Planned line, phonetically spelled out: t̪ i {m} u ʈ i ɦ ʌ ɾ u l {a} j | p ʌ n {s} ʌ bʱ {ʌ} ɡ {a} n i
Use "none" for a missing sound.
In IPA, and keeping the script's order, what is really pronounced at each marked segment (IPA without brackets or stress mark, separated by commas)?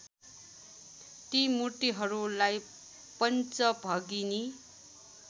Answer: m, a, t͡s, ʌ, i